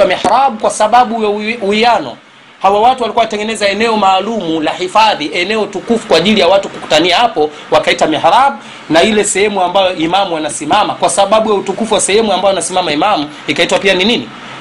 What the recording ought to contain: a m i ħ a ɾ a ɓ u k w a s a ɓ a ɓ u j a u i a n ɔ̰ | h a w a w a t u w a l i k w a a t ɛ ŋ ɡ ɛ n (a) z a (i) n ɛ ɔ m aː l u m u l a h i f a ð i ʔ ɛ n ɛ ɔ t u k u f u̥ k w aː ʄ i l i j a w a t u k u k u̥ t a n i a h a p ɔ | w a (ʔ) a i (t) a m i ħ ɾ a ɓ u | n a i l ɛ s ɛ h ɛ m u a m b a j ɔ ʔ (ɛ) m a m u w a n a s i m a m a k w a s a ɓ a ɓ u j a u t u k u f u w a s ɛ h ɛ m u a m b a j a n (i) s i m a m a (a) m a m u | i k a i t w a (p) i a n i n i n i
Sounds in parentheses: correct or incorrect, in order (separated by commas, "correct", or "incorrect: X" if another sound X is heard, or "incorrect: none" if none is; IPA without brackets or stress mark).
incorrect: ɛ, incorrect: ɛ, incorrect: k, correct, incorrect: i, incorrect: a, incorrect: i, correct